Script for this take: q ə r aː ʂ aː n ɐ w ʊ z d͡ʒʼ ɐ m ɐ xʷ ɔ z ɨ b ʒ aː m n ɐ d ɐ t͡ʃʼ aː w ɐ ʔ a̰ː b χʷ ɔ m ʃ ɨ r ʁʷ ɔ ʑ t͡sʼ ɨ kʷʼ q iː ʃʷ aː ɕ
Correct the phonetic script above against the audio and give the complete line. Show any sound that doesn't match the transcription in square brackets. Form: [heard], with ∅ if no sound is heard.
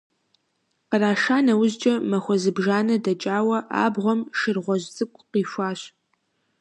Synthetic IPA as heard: q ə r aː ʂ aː n ɐ w ʊ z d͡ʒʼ ɐ m ɐ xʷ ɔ z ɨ b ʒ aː [∅] n ɐ d ɐ t͡ʃʼ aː w ɐ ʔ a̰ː b [ʁʷ] ɔ m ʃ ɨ r ʁʷ ɔ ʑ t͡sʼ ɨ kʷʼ q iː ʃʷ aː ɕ